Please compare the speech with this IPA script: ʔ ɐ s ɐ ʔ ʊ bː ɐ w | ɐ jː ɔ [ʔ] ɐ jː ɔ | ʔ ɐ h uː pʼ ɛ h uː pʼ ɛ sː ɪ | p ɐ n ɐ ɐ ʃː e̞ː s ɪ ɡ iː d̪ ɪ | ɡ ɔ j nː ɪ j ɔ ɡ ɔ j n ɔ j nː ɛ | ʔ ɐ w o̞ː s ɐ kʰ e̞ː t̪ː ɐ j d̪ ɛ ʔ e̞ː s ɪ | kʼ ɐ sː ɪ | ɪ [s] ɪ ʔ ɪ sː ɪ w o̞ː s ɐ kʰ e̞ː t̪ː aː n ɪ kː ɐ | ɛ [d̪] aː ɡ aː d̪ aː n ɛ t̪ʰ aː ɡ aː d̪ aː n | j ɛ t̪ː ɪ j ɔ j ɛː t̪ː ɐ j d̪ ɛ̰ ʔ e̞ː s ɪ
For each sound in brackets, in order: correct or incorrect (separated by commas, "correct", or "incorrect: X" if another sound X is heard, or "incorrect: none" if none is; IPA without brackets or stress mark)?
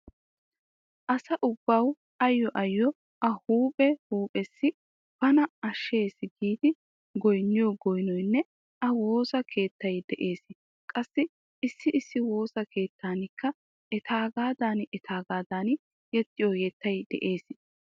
correct, incorrect: sː, incorrect: t̪